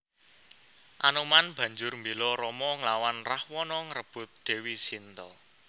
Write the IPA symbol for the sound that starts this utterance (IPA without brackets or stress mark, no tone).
ʔ